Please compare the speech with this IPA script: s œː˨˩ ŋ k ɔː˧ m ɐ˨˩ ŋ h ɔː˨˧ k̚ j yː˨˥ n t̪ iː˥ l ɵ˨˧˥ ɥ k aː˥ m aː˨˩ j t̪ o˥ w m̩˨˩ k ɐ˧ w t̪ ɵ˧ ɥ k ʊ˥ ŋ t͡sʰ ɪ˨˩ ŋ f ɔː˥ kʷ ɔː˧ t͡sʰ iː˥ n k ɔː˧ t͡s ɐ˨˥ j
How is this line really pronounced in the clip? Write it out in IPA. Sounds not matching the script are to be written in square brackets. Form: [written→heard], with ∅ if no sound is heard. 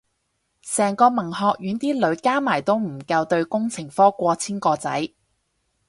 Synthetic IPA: s [œː˨˩→ɛː˨˩] ŋ k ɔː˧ m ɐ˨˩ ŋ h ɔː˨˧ k̚ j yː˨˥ n t̪ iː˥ l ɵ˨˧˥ ɥ k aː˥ m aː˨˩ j t̪ o˥ w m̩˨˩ k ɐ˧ w t̪ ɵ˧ ɥ k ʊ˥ ŋ t͡sʰ ɪ˨˩ ŋ f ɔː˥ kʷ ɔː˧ t͡sʰ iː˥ n k ɔː˧ t͡s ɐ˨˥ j